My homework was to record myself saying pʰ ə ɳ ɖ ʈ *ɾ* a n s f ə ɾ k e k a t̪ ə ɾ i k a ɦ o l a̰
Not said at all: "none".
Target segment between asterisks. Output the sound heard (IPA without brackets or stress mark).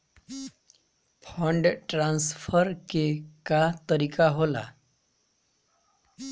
ɾ